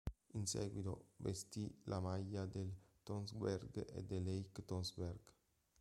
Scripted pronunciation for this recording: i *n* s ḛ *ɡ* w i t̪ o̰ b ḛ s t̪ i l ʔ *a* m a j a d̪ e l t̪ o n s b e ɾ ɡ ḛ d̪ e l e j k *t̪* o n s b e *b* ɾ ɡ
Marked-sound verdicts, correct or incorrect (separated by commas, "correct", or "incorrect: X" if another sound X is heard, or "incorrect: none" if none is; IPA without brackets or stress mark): correct, correct, correct, correct, incorrect: none